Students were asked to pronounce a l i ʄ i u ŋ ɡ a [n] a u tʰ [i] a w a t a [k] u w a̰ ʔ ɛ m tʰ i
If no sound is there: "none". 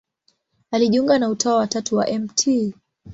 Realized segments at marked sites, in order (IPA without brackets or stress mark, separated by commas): n, a, t